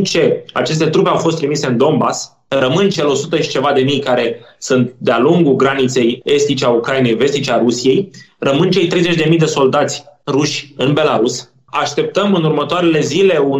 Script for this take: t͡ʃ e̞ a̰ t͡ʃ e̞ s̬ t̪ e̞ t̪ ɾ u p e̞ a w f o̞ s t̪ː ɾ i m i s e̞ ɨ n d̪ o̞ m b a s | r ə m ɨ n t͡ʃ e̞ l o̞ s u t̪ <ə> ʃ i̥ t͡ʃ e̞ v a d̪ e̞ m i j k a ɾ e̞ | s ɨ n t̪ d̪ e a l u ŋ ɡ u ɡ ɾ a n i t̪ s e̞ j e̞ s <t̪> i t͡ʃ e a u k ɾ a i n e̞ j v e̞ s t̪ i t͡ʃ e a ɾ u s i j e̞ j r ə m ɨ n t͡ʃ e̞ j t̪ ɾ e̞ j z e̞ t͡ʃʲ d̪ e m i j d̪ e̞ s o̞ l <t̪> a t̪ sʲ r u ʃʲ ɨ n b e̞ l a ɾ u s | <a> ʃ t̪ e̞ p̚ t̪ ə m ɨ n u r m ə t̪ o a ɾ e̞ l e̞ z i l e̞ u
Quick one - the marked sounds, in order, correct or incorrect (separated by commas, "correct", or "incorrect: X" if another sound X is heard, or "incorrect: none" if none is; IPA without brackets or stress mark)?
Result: correct, correct, incorrect: d̪, correct